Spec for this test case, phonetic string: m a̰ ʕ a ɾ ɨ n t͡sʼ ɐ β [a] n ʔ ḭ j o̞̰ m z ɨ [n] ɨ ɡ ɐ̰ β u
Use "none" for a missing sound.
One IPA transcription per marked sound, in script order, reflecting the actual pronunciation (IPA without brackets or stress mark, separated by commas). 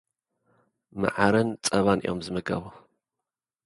a, m